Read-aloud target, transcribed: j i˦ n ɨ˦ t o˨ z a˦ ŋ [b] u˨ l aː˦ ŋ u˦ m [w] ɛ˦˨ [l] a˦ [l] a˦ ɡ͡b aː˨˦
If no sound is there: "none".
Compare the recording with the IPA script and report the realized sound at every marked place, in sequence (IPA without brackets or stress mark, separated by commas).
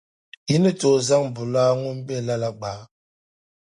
b, b, l, l